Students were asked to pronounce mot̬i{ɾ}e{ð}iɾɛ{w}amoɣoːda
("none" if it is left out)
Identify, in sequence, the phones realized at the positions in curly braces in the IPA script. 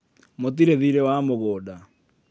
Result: ɾ, ð, w

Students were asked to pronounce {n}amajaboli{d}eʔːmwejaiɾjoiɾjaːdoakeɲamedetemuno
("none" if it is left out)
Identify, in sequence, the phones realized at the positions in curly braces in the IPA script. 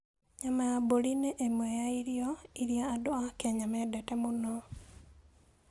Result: ɲ, n

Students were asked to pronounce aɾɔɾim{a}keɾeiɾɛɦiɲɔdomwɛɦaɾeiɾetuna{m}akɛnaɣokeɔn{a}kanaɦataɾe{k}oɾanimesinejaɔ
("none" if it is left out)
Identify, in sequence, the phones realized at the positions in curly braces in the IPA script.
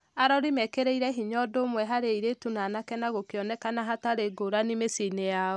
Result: ɛ, n, ɛ, ɡ

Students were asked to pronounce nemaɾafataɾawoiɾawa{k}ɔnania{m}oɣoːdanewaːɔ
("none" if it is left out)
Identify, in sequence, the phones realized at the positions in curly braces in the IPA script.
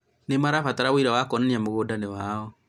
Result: k, m

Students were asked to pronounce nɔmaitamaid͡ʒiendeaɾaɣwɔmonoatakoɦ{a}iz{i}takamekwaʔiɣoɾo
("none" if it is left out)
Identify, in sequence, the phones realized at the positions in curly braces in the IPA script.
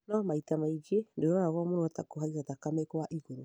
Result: a, a

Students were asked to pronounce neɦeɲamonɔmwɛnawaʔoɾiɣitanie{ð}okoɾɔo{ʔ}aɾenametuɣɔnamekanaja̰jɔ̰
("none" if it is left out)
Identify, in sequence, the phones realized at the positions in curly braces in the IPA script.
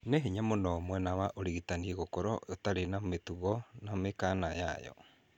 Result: ɣ, t

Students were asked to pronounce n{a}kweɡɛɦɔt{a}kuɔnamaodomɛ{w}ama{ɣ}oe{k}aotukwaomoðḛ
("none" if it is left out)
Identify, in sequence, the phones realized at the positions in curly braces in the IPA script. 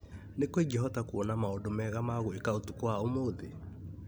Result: e, a, ɣ, ɣ, k

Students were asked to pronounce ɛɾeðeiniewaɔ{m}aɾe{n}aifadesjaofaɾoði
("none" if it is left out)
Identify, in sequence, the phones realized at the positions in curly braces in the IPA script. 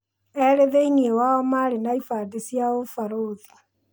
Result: m, n

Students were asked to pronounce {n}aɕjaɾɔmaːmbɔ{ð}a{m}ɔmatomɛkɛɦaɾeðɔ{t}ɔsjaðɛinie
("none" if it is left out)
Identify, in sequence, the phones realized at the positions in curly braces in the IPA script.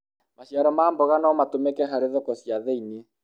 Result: m, ɣ, n, k

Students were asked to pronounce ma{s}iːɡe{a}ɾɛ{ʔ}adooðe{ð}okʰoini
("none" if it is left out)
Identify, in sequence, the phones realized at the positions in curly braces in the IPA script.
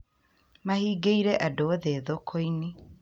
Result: h, i, ʔ, ð

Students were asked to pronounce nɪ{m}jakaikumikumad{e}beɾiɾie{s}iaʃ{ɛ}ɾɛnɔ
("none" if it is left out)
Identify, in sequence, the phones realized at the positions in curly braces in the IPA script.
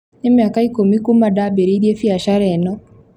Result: m, a, f, a

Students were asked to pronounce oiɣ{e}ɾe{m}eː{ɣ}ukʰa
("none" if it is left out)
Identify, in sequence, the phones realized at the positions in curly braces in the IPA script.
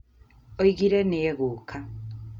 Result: i, n, ɣ

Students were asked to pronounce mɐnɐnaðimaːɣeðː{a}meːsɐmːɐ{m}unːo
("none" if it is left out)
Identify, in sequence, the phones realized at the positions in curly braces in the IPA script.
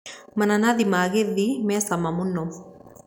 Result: i, m

